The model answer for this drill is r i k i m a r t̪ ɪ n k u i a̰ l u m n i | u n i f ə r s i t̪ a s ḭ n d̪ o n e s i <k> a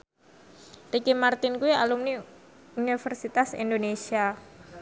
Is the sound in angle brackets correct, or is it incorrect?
incorrect